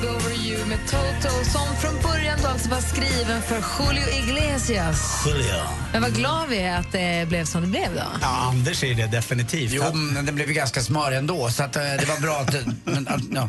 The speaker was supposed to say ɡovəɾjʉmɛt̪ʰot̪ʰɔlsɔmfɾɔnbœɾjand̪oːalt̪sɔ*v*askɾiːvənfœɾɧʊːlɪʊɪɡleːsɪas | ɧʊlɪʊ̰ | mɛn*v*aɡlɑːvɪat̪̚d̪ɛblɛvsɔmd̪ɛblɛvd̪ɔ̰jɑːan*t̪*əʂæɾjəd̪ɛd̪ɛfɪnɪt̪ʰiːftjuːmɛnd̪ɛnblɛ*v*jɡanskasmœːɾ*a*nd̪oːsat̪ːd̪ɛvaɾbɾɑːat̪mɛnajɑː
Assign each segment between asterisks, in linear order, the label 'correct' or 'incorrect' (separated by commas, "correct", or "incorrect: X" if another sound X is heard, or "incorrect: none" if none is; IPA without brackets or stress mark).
correct, correct, incorrect: d̪, correct, incorrect: ɛ